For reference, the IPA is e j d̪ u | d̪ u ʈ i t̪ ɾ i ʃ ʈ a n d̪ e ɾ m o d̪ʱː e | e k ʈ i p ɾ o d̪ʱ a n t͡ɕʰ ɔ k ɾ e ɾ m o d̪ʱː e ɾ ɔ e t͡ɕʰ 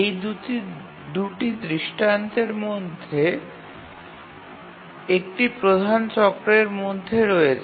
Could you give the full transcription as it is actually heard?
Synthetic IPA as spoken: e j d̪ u | d̪ u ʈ i d̪ ɾ i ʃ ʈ a n t̪ e ɾ m o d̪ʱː e | e k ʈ i p ɾ o d̪ʱ a n t͡ɕ ɔ k ɾ e ɾ m o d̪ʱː e ɾ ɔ e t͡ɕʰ